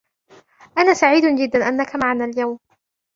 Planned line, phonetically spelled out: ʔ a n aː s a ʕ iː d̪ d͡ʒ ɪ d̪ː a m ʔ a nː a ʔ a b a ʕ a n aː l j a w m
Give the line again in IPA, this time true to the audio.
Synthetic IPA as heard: ʔ a n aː s a ʕ iː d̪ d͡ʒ ɪ d̪ː a n ʔ a nː a k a m a ʕ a n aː l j a w m

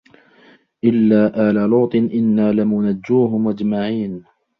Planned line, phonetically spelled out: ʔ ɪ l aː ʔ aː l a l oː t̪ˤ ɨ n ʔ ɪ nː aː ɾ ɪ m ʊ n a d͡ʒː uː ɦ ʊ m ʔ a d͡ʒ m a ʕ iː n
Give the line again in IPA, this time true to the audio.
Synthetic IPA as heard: ʔ ɪ lː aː ʔ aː l a l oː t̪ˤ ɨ n ʔ ɪ nː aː l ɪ m ʊ n a d͡ʒː uː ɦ ʊ m ʔ a d͡ʒ m a ʕ iː n

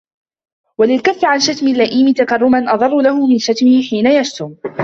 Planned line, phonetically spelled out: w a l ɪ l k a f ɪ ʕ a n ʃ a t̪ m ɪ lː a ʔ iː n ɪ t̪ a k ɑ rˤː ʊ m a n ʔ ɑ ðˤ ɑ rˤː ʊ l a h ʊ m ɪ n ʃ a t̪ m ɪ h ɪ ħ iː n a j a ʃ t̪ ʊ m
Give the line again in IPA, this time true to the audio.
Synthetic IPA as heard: w a l ɪ l k a fː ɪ ʕ a n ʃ a t̪ m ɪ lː a ʔ iː m ɪ t̪ a k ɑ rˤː ʊ m a n ʔ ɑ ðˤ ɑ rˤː ʊ l a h ʊ m ɪ n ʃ a t̪ m ɪ h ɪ ħ iː n a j a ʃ t̪ ʊ m

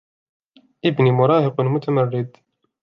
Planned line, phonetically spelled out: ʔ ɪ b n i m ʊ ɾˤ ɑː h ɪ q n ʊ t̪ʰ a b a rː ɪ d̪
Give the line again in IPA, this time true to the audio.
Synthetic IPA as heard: ʔ ɪ b n i m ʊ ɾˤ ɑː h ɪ q m ʊ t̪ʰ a m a rː ɪ d̪

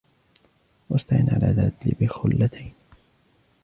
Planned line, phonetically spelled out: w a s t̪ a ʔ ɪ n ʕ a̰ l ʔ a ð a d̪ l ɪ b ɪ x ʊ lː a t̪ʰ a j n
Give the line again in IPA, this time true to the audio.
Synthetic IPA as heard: w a s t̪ a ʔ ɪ n ʕ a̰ l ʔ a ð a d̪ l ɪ b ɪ x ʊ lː a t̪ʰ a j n

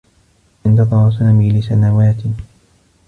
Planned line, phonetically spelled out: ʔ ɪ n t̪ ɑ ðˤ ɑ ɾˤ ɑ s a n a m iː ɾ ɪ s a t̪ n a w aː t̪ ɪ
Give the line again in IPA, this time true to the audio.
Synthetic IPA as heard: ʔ ɪ n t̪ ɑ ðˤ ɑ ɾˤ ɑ s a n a m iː l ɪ s a n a w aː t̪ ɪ

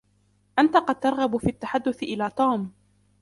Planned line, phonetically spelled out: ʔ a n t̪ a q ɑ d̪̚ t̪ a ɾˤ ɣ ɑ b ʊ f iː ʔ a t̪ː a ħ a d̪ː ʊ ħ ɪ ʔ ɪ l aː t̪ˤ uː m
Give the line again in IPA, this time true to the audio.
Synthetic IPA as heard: ʔ a n t̪ a q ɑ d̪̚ t̪ ɑ ɾˤ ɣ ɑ b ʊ f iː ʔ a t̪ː a ħ a d̪ː ʊ θ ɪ ʔ ɪ l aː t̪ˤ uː m

